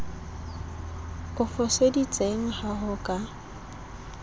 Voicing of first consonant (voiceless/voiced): voiceless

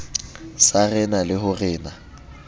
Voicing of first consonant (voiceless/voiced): voiceless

